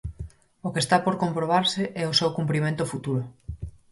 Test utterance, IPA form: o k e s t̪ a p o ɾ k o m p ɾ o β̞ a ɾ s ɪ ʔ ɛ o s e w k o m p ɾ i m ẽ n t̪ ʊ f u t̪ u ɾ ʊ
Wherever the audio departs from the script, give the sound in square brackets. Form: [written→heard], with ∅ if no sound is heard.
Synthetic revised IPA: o k e s t̪ a p o ɾ k o m p ɾ o β̞ a ɾ s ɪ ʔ ɛ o s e w k [o→u] m p ɾ i m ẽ n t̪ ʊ f u t̪ u ɾ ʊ